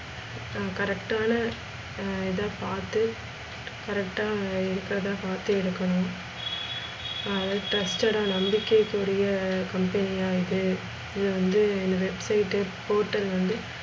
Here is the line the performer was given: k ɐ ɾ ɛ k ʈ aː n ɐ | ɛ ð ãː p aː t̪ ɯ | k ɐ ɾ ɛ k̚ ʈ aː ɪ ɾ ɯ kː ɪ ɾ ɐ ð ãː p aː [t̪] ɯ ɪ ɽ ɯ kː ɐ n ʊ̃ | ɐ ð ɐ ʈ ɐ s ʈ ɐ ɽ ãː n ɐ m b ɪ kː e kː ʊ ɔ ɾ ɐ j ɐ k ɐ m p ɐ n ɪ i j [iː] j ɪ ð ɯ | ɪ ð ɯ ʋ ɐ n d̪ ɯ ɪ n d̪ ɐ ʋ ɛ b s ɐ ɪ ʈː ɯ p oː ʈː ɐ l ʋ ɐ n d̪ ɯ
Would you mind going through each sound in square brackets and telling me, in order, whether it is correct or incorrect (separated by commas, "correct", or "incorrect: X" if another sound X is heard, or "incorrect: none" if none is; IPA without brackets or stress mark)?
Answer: correct, incorrect: aː